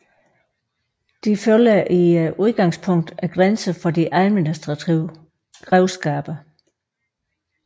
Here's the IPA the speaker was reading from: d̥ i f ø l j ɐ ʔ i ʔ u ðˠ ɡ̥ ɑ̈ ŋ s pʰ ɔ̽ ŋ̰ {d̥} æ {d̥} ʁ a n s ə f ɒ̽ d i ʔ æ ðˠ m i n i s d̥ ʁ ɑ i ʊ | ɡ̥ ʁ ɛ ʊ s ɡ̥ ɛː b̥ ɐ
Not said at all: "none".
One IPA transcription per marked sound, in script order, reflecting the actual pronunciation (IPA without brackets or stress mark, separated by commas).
d̥, ɡ̥